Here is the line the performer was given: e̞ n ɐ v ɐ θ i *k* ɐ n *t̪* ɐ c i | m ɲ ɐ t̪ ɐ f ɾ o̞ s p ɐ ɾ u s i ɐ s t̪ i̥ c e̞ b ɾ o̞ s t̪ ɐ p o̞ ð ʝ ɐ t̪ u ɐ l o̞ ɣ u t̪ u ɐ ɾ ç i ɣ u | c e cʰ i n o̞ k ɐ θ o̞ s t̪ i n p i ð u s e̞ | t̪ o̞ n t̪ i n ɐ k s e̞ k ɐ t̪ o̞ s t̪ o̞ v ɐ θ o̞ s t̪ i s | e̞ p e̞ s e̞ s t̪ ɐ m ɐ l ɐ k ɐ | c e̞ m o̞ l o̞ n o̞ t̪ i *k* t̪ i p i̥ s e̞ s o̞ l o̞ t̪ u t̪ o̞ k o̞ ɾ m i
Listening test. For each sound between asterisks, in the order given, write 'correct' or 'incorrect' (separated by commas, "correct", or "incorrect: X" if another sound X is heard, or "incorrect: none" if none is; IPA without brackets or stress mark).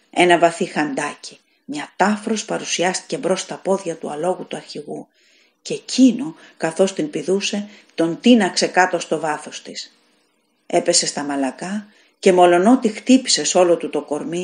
incorrect: x, incorrect: d̪, incorrect: x